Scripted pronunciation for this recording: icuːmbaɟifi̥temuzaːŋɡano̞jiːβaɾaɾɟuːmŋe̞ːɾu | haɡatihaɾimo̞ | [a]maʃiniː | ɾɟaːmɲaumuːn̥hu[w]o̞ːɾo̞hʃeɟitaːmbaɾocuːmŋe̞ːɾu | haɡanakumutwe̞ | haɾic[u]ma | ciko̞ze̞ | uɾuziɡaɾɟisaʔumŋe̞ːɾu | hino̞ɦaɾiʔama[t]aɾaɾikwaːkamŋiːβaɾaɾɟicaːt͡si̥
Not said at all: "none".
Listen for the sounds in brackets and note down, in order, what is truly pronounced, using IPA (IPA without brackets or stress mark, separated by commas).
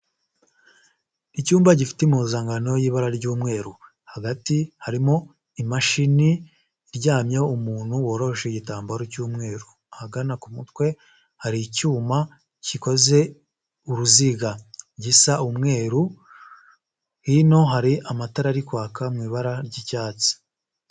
i, w, uː, t